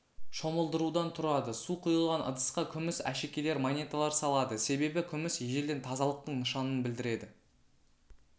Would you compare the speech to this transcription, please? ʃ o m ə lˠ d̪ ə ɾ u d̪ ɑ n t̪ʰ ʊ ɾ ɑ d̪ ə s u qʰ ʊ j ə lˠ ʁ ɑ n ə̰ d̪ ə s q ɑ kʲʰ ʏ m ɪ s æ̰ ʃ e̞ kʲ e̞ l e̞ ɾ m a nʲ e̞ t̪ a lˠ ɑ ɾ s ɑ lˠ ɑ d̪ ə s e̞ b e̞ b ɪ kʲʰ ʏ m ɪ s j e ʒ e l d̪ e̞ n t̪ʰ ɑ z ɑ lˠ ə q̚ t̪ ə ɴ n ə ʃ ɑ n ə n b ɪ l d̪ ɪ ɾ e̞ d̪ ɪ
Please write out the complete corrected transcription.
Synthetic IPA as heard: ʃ o m ə lˠ d̪ ə ɾ u d̪ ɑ n t̪ʰ ʊ ɾ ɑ d̪ ə s u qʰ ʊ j ə lˠ ʁ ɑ n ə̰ d̪ ə s q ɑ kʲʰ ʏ m ɪ s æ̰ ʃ e̞ kʲ e̞ l e̞ ɾ m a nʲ e̞ t̪ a lˠ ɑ ɾ s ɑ lˠ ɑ d̪ ə s e̞ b e̞ b ɪ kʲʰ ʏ m ɪ s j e ʒ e l d̪ e̞ n t̪ʰ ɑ z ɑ lˠ ə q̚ t̪ ə ɴ n ə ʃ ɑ n ə n b ɪ l d̪ ɪ ɾ e̞ d̪ ɪ

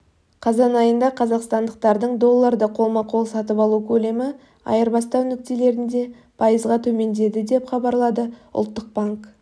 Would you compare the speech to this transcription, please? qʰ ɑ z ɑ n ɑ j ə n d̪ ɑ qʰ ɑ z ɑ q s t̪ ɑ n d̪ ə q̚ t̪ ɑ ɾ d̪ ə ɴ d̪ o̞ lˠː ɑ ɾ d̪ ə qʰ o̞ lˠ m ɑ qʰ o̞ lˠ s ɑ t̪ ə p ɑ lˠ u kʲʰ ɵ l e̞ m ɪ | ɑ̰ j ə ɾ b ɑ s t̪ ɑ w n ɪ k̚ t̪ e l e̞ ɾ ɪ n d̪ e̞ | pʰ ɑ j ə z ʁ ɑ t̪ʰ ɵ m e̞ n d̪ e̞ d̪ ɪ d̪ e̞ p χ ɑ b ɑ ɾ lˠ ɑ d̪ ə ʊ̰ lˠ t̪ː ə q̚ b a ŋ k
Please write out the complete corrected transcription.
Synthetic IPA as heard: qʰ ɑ z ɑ n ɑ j ə n d̪ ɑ qʰ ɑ z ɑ q s t̪ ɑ n d̪ ə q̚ t̪ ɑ ɾ d̪ ə ɴ d̪ o̞ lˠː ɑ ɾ d̪ ə qʰ o̞ lˠ m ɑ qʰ o̞ lˠ s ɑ t̪ ə p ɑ lˠ u kʲʰ ɵ l e̞ m ɪ | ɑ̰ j ə ɾ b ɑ s t̪ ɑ w n ɪ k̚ t̪ e l e̞ ɾ ɪ n d̪ e̞ | pʰ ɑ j ə z ʁ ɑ t̪ʰ ɵ m e̞ n d̪ e̞ d̪ ɪ d̪ e̞ p χ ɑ b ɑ ɾ lˠ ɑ d̪ ə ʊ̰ lˠ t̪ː ə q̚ b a ŋ k

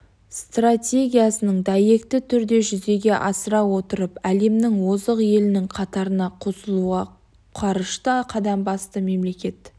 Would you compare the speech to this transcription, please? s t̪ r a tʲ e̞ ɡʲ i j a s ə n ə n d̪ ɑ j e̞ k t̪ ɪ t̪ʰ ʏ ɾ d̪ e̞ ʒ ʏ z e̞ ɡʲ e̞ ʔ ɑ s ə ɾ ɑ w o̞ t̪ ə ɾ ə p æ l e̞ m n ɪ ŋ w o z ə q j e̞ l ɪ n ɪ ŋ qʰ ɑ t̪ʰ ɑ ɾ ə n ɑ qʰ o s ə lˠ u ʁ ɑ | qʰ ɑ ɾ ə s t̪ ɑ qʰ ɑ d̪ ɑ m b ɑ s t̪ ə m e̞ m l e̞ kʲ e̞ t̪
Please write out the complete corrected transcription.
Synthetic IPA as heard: s t̪ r a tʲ e̞ ɡʲ i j a s ə n ə ɴ d̪ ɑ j e̞ k t̪ ɪ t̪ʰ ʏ ɾ d̪ e̞ ʒ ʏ z e̞ ɡʲ e̞ ʔ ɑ s ə ɾ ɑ w o̞ t̪ ə ɾ ə p æ l e̞ m n ɪ ŋ w o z ə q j e̞ l ɪ n ɪ ŋ qʰ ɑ t̪ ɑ ɾ ə n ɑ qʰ o s ə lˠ u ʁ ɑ | qʰ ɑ ɾ ə ʃ t̪ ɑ qʰ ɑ d̪ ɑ m b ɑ s t̪ ə m e̞ m l e̞ kʲ e̞ t̪

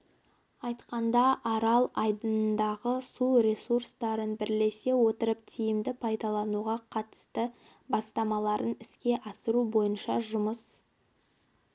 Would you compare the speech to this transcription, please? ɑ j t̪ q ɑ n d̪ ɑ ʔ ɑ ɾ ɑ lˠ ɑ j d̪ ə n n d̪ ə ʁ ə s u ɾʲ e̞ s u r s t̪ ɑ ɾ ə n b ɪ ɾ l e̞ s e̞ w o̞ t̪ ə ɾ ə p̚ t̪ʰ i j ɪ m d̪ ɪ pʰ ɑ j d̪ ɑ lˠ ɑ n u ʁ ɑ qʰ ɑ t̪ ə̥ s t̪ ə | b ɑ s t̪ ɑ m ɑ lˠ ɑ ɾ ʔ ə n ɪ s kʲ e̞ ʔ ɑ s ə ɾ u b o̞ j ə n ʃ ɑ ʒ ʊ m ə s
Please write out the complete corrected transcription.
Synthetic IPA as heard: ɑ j t̪ q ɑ n d̪ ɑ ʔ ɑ ɾ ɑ lˠ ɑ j d̪ ə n n d̪ ɑ ʁ ə s u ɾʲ e̞ s u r s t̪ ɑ ɾ ə n b ɪ ɾ l e̞ s e̞ w o̞ t̪ ə ɾ ə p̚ t̪ʰ i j ɪ m d̪ ɪ pʰ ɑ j d̪ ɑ lˠ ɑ n u ʁ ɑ qʰ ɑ t̪ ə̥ s t̪ ə | b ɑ s t̪ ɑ m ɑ lˠ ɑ ɾ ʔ ə n ɪ s kʲ e̞ ʔ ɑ s ə ɾ u b o̞ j ə n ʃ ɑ ʒ ʊ m ə s

